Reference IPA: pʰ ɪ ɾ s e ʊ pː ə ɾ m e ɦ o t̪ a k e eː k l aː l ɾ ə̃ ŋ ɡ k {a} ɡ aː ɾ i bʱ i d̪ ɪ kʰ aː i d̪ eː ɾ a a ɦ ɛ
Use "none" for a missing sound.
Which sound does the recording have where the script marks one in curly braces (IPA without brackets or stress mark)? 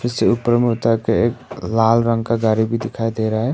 a